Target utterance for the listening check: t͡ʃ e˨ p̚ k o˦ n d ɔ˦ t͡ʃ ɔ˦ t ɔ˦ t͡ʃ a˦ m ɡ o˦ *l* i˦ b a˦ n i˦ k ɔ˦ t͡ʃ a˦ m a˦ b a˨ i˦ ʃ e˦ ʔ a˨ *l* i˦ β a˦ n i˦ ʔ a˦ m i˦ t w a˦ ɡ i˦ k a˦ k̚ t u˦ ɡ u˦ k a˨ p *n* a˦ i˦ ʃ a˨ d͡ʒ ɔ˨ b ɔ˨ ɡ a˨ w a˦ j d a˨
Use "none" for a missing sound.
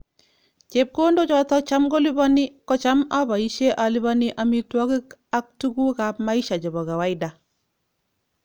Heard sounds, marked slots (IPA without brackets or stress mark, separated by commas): l, l, m